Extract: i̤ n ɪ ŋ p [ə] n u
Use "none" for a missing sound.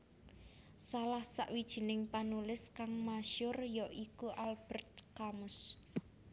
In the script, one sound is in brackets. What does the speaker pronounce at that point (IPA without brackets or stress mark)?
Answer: a